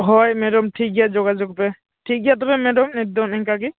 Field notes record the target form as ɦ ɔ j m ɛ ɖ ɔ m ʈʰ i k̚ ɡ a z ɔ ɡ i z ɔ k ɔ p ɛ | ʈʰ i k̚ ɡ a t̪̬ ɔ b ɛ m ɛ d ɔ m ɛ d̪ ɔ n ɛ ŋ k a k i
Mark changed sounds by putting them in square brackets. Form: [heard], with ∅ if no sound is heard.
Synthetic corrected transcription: ɦ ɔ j m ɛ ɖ ɔ m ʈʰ i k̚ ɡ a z ɔ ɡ [a] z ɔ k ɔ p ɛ | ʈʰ i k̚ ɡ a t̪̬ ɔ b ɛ m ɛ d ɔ m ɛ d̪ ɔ n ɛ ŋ k a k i